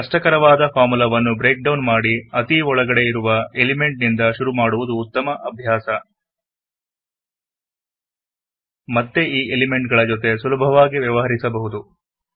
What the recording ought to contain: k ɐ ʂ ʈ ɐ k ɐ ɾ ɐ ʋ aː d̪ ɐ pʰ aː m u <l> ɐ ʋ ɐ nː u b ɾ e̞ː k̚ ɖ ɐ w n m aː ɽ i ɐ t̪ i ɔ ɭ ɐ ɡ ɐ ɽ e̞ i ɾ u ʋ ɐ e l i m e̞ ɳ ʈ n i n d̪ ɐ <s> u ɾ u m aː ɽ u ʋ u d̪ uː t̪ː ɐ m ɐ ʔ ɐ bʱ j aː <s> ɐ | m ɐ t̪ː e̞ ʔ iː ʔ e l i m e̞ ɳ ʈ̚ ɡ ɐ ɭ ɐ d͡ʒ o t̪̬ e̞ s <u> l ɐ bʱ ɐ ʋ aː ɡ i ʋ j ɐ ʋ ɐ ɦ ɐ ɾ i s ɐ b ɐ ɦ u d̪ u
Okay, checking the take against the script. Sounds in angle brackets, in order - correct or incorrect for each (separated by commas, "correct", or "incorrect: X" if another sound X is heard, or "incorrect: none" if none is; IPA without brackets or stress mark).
correct, incorrect: ʃ, correct, correct